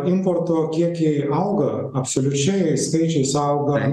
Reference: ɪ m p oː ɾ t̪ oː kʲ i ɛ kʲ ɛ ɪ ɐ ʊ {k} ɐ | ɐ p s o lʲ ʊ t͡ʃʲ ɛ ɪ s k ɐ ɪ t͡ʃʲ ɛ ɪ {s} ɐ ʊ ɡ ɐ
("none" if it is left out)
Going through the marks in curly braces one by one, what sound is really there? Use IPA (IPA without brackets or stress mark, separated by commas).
ɡ, s